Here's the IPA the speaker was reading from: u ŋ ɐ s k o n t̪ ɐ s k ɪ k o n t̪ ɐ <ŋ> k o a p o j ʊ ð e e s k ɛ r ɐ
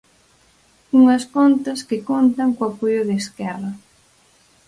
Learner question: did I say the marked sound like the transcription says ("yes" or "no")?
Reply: yes